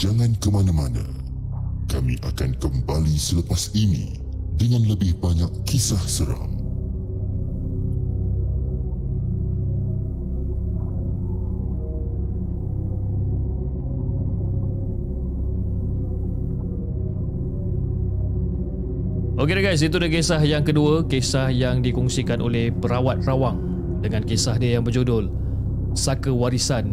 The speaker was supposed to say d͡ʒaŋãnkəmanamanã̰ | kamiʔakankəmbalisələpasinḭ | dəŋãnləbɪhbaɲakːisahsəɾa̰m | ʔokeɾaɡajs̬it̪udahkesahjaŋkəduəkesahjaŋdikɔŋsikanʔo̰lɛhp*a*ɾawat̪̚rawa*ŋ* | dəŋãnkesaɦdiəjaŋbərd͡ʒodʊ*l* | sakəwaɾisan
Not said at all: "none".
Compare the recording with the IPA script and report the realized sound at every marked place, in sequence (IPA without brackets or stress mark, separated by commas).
ə, ŋ, l